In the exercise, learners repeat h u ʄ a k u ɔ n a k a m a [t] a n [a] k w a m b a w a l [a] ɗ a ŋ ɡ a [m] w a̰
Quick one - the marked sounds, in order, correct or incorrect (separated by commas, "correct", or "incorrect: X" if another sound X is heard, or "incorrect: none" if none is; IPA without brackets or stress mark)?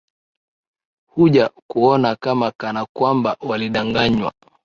incorrect: k, correct, incorrect: i, incorrect: ɲ